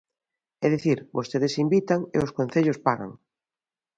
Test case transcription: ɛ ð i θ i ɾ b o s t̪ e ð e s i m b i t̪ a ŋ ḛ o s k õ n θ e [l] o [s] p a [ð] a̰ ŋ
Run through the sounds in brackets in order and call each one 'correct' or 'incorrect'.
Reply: incorrect, correct, incorrect

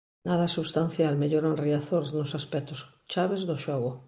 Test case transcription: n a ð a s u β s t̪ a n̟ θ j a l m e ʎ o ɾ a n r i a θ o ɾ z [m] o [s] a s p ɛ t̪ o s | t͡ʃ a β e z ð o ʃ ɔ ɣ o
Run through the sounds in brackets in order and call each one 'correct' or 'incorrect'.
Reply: incorrect, correct

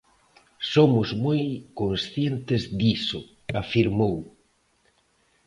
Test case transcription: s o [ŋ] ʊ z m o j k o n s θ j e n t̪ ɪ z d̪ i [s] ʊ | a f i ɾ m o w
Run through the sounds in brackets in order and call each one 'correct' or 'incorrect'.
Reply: incorrect, correct

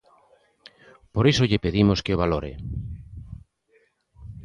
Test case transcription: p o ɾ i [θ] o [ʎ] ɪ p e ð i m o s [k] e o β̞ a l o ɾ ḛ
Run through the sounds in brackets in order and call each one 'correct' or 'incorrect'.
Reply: incorrect, correct, correct

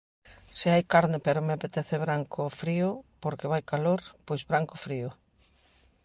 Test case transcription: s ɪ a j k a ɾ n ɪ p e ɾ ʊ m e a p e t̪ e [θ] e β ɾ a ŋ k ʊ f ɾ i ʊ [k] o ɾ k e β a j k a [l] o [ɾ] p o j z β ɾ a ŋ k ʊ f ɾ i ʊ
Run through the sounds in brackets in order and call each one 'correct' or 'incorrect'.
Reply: correct, incorrect, correct, correct

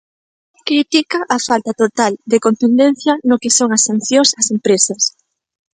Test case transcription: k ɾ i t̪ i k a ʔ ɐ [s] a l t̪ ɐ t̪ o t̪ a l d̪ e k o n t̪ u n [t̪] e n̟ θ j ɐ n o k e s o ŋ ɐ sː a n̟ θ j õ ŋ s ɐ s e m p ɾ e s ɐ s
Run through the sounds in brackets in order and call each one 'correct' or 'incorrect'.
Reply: incorrect, incorrect

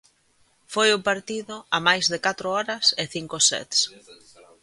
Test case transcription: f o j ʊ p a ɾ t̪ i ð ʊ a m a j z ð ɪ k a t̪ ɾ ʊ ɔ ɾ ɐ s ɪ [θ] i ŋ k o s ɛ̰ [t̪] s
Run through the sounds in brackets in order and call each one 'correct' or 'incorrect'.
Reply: correct, correct

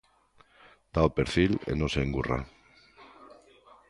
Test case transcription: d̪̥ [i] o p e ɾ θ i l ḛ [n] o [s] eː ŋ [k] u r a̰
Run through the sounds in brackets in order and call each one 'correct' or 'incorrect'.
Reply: incorrect, correct, correct, incorrect

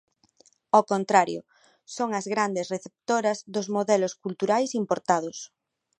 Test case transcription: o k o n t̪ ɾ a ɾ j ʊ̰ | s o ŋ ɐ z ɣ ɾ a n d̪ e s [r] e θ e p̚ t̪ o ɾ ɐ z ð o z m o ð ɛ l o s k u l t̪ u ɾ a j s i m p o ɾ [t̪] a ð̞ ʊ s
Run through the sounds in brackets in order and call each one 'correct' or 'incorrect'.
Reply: correct, correct

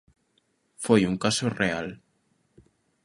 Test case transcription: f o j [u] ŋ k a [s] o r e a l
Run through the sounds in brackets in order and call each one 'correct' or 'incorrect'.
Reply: correct, correct

